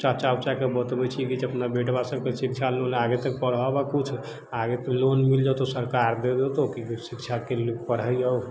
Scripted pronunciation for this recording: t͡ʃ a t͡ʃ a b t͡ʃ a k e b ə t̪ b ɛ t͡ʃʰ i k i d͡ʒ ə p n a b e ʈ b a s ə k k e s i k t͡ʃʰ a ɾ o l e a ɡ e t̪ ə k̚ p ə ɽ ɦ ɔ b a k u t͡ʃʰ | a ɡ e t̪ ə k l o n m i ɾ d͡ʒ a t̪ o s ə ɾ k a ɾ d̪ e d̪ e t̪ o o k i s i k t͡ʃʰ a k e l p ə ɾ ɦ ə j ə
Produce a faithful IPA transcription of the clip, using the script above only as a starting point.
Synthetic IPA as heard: t͡ʃ a t͡ʃ a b t͡ʃ a k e b ə t̪ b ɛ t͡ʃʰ i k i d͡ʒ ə p n a b e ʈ b a s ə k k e s i k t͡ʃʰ a l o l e a ɡ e t̪ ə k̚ p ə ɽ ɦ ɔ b a k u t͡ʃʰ | a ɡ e t̪ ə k l o n m i l d͡ʒ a t̪ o s ə ɾ k a ɾ d̪ e d̪ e t̪ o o k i s i k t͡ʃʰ a k e l p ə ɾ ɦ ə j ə